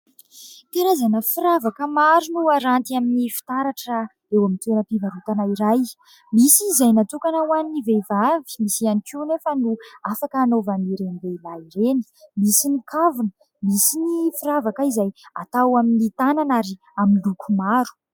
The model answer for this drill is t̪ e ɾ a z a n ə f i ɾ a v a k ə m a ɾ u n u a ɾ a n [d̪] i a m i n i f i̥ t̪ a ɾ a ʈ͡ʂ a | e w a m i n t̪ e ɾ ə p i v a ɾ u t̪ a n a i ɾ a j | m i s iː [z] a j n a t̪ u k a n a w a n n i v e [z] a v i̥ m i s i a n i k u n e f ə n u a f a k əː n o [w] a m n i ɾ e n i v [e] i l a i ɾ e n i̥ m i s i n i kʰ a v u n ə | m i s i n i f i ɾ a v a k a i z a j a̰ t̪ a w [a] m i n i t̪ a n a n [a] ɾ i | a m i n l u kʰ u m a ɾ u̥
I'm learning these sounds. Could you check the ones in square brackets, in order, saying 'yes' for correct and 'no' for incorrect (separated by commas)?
no, yes, no, no, yes, yes, yes